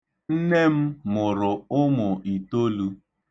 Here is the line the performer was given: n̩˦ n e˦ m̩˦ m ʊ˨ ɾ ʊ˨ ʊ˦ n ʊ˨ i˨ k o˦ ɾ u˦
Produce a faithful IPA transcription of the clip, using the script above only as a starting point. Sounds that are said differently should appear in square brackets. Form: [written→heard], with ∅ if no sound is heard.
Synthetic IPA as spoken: n̩˦ n e˦ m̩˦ m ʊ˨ ɾ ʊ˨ ʊ˦ [n→m] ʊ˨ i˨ [k→t] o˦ [ɾ→l] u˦